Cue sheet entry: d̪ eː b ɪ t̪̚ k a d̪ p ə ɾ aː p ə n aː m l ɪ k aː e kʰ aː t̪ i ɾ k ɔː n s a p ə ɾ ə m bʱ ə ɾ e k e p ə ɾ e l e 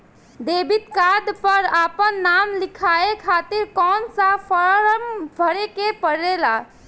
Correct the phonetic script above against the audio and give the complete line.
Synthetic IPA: d̪ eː b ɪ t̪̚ k a d̪ p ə ɾ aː p ə nː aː m l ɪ kʰ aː e kʰ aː t̪ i ɾ k ɔː n s a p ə ɾ ə m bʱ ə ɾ e k e p ə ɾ e l a